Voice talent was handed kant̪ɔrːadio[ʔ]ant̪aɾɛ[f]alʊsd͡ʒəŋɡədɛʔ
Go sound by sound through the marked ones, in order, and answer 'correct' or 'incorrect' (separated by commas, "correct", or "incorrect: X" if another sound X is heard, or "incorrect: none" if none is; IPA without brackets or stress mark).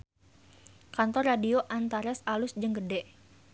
correct, incorrect: s